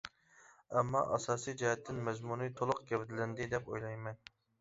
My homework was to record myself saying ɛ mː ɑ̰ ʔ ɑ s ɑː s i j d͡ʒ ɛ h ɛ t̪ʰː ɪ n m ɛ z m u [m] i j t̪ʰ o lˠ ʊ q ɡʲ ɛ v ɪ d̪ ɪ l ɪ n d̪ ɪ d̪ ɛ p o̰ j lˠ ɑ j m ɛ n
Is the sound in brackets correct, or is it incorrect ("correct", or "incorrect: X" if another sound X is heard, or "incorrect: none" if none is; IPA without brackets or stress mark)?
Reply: incorrect: n